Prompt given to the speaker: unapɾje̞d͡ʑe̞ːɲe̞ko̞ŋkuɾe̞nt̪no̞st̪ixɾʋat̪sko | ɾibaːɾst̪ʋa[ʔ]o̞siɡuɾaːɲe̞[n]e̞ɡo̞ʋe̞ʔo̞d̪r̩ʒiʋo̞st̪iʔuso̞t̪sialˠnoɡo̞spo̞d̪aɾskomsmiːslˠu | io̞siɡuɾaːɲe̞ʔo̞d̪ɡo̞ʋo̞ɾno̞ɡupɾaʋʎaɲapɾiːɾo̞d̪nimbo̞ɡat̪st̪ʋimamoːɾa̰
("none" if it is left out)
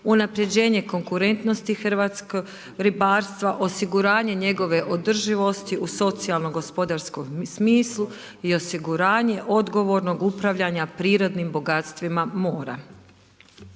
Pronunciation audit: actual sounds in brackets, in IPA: ʔ, ɲ

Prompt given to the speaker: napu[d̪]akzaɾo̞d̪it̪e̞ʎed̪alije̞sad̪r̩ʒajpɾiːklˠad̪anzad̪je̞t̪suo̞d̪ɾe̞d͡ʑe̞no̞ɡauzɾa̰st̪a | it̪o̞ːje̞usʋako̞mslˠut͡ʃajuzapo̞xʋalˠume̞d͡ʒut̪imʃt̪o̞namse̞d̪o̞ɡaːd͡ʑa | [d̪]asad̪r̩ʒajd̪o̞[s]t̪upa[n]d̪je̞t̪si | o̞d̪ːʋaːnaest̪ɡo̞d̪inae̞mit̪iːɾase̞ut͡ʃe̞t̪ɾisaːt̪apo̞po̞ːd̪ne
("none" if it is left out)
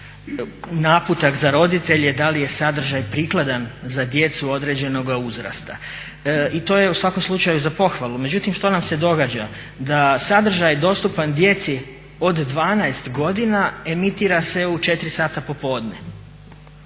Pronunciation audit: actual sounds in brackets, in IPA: t̪, d̪, s, n

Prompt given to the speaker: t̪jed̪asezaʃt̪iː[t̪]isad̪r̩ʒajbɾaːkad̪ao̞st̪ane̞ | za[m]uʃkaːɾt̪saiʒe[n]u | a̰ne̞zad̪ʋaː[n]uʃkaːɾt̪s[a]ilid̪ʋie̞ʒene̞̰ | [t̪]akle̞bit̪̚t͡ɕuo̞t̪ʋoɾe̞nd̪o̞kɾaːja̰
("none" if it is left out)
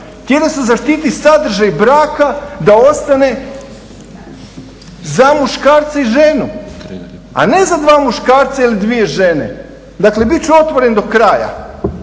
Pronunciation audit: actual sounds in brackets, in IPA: t̪, m, n, m, a, d̪

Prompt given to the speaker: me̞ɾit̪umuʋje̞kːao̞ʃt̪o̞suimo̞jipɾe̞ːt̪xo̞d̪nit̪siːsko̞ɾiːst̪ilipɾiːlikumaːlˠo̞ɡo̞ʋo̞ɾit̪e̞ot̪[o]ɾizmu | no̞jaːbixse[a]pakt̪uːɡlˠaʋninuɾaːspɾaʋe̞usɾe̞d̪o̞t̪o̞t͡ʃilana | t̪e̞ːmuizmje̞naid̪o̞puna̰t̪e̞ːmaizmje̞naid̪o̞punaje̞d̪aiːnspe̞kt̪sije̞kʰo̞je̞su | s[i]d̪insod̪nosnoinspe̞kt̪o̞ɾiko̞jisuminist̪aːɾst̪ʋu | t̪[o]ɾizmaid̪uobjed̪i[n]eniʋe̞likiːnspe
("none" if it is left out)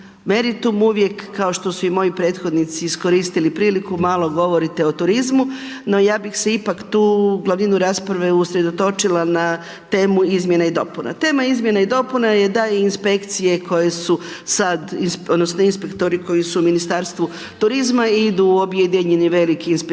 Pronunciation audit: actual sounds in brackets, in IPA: u, i, a, u, ɲ

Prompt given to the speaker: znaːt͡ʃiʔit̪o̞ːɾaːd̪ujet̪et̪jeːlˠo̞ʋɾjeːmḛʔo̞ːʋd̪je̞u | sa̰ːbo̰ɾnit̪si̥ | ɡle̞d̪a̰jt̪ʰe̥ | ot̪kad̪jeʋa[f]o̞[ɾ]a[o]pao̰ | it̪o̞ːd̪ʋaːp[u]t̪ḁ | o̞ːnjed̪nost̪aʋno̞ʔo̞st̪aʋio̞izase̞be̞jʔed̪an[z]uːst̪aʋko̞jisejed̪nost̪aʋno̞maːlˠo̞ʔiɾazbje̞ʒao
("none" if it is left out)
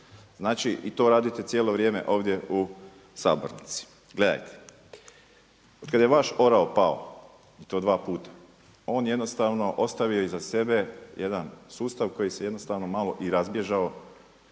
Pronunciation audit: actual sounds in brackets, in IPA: ʃ, ɾ, o, uː, s

